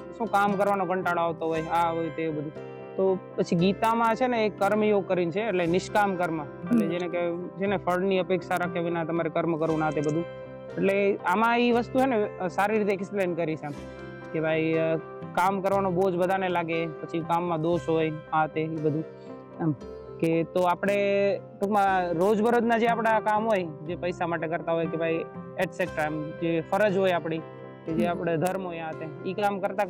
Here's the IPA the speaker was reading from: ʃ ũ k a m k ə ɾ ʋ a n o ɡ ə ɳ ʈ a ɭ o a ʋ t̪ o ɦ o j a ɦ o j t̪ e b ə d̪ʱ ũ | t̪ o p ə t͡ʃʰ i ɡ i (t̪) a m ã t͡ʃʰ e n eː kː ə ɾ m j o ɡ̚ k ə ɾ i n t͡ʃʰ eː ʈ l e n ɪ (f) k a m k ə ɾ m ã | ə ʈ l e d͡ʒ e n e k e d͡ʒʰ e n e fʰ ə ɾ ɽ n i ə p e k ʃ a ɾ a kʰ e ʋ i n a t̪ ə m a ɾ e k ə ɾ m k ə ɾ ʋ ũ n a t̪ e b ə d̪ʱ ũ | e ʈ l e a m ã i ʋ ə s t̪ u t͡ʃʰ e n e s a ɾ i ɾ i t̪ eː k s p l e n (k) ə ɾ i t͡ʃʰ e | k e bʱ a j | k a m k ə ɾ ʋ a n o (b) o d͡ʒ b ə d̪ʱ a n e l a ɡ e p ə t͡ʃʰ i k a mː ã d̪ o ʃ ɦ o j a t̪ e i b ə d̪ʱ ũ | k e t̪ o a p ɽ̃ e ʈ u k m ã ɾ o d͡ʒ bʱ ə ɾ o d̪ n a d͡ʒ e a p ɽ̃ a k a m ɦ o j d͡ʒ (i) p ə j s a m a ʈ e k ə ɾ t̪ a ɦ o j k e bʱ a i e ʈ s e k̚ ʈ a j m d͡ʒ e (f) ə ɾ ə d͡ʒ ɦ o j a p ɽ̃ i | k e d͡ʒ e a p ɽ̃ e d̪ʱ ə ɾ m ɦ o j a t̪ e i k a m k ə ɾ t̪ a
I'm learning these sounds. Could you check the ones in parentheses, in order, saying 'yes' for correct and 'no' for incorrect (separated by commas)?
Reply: yes, no, yes, yes, no, yes